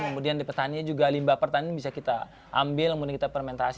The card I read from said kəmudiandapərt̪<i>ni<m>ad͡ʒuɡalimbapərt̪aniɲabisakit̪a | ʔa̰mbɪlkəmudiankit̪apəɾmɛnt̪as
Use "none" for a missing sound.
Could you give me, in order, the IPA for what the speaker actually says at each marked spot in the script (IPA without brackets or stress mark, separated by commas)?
a, ɲ